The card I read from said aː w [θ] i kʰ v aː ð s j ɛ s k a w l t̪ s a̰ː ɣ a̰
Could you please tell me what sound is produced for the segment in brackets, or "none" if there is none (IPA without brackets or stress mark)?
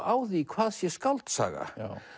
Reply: ð